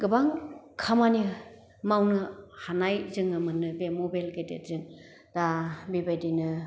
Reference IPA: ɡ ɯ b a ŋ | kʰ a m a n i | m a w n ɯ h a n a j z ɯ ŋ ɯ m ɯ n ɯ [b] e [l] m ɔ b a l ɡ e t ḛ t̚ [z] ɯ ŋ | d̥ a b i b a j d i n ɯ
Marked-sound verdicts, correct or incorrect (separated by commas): correct, incorrect, correct